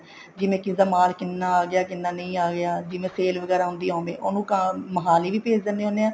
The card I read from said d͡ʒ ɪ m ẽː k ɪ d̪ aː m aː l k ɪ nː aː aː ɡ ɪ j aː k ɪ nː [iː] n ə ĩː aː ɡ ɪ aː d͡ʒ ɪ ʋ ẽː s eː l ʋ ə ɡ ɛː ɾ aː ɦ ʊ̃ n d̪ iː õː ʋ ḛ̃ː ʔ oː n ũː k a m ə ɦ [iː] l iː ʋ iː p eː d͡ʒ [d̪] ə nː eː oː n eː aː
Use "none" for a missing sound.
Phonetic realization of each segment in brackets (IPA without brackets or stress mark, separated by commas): aː, aː, d̪